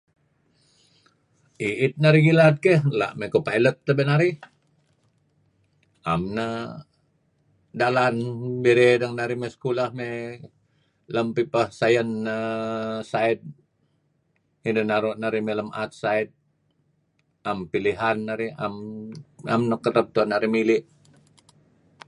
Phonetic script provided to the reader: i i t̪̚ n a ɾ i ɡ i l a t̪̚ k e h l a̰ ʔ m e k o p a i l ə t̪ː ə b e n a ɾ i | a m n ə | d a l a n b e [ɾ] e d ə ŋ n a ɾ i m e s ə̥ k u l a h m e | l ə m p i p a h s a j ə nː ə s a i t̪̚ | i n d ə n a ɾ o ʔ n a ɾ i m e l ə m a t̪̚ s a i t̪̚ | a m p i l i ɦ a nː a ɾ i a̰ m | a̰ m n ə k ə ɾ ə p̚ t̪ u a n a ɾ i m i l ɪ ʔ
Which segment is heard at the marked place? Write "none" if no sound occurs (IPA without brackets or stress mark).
ɾ